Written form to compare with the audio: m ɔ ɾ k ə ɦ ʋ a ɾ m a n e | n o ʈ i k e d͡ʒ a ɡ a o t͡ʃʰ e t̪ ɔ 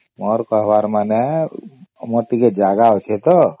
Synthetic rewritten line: m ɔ ɾ k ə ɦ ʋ a ɾ m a n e | m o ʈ i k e d͡ʒ a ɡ a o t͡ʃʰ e t̪ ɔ